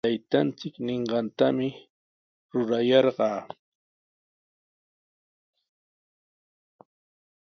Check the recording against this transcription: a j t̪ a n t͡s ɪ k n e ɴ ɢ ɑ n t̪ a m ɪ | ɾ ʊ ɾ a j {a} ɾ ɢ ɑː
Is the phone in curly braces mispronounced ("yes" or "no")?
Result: yes